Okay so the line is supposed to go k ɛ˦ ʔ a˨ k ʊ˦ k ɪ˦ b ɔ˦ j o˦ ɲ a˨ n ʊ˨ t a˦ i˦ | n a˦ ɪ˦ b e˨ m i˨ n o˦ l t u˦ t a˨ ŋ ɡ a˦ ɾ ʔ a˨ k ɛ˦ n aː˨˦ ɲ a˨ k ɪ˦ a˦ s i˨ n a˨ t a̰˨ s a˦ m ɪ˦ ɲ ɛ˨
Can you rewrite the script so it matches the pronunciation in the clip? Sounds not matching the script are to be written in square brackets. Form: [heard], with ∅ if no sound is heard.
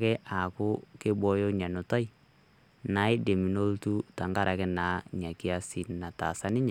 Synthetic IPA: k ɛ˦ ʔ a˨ k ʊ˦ k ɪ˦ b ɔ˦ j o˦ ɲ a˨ n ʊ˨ t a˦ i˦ | n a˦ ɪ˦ [d] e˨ m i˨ n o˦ l t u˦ t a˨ ŋ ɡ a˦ ɾ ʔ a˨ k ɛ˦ n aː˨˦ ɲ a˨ k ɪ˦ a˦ s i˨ n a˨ t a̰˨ s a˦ [n] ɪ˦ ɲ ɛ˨

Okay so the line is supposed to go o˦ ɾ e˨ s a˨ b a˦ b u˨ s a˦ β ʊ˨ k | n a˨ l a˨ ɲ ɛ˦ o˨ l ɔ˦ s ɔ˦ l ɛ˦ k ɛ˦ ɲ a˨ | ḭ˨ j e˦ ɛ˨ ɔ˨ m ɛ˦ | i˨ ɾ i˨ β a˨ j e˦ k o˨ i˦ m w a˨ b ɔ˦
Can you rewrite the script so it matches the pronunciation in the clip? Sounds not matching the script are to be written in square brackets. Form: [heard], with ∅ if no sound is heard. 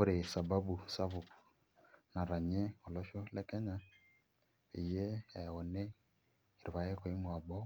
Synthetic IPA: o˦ ɾ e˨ s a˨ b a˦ b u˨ s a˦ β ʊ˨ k | n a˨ [ɾ] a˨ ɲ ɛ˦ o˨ l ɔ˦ [ʃ] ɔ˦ l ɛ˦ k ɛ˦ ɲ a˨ | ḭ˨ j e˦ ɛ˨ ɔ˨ [n] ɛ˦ | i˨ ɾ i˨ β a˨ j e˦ k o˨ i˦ m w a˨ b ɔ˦

